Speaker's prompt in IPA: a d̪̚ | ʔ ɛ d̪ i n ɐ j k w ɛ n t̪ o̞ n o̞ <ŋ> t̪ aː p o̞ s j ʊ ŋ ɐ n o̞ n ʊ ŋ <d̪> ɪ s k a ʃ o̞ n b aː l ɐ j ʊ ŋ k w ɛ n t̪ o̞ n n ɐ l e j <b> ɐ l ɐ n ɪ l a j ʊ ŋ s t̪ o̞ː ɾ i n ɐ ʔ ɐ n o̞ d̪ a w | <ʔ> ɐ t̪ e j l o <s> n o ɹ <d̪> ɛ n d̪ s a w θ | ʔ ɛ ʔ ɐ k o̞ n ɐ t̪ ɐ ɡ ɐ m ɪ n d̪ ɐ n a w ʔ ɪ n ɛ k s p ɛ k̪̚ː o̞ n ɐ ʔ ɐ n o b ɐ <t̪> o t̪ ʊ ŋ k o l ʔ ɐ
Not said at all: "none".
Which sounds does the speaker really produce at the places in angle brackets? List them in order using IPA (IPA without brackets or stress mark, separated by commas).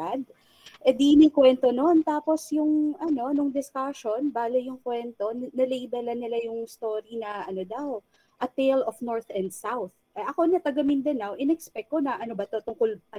n, d̪, b, ʔ, f, t̪, t̪